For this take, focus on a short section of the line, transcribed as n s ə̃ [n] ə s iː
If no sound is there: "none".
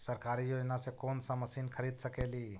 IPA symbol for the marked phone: m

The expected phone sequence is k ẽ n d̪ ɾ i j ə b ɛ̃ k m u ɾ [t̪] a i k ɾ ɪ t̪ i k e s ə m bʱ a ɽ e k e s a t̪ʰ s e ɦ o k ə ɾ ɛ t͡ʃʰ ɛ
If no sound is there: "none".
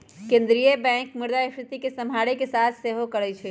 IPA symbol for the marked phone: d̪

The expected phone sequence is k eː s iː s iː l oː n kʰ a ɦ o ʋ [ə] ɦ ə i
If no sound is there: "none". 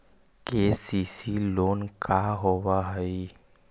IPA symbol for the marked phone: a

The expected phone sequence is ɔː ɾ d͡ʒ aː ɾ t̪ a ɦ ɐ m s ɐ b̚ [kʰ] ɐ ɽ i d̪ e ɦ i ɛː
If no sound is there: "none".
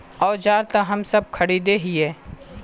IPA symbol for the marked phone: kʰ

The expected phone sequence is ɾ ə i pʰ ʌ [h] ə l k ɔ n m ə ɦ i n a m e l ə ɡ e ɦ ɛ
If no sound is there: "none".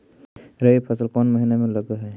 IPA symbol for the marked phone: s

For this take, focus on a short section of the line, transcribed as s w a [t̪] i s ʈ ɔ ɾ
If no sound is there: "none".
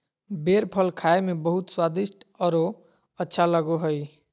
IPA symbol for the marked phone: d̪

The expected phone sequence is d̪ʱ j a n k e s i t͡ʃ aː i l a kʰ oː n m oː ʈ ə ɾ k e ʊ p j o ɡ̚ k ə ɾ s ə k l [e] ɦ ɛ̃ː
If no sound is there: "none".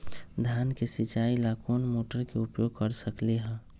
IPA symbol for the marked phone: e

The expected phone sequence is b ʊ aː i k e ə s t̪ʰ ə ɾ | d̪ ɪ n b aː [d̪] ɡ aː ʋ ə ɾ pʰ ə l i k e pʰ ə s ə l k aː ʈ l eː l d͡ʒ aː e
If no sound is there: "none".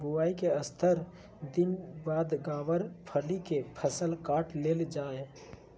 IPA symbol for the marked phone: d̪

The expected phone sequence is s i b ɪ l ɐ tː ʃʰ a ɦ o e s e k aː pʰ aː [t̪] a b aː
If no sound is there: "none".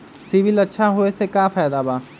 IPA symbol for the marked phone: d̪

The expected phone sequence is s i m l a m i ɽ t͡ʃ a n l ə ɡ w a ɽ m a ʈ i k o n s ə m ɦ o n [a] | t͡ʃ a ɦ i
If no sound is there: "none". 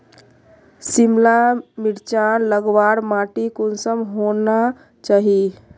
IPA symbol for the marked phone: a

